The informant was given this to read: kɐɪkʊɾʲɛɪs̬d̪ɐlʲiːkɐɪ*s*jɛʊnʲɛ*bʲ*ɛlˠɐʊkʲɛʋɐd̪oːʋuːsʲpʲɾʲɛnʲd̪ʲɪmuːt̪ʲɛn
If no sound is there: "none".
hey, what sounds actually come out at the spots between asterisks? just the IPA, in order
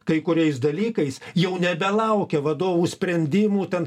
s, bʲ

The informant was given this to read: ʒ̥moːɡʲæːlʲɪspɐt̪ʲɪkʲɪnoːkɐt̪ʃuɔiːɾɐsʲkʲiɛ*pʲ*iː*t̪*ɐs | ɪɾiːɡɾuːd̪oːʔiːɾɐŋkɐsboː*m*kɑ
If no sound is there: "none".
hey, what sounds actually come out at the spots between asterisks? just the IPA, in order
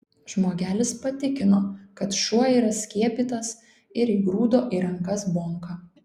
pʲ, t̪, ŋ

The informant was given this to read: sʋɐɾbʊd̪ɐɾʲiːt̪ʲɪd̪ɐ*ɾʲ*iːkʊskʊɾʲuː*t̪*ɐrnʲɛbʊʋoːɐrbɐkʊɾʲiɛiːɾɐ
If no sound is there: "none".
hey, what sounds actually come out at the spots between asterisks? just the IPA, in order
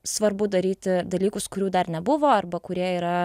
lʲ, d̪

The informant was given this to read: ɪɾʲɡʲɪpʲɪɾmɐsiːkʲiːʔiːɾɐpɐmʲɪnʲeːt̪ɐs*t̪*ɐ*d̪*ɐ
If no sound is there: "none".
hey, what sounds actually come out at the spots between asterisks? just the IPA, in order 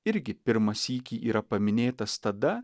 t̪, d̪

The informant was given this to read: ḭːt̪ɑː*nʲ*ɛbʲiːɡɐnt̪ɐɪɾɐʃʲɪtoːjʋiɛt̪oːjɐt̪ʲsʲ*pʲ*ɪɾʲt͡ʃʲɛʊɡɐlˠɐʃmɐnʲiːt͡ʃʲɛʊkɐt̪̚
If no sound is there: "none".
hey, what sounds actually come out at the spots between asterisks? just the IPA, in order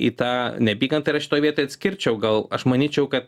nʲ, kʲ

